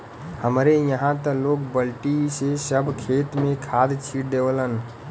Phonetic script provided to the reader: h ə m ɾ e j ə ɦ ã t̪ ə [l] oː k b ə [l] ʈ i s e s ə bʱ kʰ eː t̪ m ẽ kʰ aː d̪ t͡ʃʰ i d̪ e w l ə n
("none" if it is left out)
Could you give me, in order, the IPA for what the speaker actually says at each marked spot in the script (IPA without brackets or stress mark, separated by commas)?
l, l